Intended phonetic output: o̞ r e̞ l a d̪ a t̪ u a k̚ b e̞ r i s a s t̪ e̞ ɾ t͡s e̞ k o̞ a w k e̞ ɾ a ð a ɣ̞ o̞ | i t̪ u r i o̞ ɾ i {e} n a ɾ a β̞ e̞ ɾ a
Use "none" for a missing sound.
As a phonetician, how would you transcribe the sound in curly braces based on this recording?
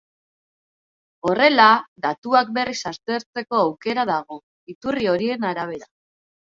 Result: e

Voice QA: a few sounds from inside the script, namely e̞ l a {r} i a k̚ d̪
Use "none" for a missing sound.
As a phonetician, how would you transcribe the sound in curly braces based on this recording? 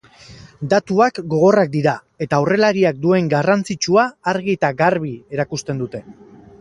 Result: ɾ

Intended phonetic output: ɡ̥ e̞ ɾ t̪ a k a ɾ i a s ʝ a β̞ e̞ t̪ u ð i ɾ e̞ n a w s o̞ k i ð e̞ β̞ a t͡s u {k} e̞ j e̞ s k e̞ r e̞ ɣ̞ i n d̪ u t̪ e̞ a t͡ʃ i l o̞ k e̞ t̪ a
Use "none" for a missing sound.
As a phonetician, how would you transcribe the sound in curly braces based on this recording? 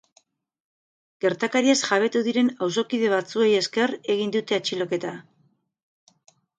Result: none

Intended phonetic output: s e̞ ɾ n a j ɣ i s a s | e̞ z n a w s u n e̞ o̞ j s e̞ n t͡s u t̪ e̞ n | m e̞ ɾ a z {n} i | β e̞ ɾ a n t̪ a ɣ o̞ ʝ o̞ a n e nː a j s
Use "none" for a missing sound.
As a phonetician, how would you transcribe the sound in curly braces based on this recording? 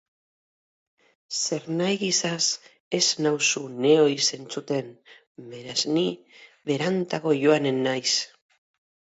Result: n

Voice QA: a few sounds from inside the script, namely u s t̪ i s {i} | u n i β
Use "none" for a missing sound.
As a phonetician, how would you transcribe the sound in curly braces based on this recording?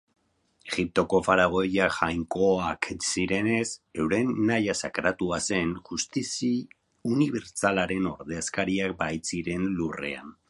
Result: i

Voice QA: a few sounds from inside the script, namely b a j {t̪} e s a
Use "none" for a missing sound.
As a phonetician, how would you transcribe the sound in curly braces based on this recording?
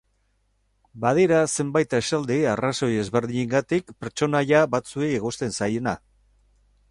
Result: t̪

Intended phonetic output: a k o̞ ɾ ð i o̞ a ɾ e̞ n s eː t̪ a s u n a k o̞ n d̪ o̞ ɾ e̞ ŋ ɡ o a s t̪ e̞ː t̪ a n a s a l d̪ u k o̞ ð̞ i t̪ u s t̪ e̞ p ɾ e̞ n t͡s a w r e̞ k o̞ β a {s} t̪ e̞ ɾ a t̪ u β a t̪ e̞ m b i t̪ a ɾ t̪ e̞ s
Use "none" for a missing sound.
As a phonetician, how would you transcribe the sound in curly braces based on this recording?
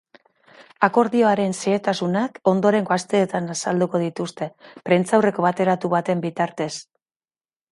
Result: none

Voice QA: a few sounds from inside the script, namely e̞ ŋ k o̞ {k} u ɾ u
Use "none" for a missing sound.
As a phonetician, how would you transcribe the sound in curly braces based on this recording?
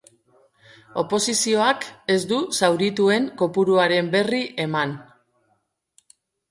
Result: p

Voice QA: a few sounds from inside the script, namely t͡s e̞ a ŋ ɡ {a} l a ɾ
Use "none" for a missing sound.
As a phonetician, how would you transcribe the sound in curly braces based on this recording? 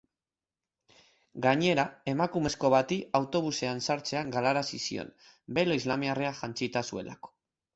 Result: a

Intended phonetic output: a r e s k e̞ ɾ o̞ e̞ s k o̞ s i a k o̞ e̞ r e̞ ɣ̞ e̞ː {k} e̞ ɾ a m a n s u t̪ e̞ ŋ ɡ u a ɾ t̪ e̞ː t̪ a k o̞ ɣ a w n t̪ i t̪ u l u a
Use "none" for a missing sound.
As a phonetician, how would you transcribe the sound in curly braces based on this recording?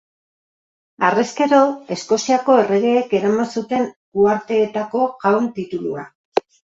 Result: k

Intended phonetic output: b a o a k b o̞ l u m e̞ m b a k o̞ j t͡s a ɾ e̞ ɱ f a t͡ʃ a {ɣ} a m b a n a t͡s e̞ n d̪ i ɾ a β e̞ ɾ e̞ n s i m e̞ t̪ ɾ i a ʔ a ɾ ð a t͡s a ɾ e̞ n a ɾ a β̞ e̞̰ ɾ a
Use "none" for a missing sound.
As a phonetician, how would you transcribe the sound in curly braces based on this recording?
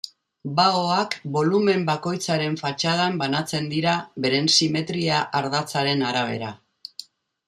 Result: ð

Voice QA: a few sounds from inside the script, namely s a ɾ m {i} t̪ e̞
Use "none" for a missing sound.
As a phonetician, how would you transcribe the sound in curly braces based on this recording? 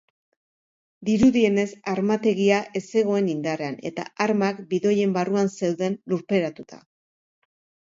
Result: a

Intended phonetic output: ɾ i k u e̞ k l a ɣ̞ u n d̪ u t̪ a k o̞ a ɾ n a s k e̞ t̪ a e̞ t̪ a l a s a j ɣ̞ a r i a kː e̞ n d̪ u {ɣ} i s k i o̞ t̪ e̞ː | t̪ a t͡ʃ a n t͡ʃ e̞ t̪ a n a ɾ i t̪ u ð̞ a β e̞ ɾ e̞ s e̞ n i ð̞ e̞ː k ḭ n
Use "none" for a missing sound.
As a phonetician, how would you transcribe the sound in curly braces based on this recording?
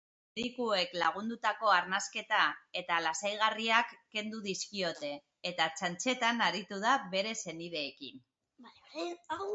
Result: ð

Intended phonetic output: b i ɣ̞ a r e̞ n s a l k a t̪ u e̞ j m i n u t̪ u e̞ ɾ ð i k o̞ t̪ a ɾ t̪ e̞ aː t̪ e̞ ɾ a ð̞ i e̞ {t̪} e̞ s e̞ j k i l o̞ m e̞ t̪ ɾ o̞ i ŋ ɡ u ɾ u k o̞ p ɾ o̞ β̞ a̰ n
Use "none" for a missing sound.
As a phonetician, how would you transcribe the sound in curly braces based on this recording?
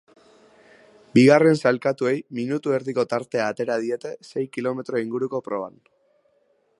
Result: t̪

